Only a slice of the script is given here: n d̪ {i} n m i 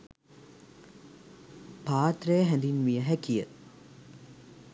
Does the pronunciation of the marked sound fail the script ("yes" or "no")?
no